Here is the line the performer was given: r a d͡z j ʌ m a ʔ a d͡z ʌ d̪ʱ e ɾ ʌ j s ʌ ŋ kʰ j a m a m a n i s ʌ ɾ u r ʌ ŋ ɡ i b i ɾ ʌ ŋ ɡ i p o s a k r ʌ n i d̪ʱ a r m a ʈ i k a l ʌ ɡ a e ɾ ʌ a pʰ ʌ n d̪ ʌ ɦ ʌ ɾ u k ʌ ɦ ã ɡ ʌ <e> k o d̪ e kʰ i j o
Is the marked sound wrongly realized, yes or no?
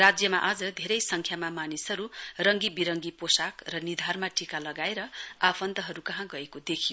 no